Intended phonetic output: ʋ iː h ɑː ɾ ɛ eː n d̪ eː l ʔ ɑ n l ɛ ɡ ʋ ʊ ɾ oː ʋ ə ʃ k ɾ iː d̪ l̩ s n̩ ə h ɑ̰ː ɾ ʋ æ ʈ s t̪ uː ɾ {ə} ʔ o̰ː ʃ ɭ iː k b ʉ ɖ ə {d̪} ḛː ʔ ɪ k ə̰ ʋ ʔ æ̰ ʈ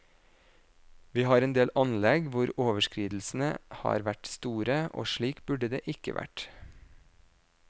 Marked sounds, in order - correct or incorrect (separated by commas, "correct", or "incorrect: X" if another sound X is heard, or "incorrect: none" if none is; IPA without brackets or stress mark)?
correct, correct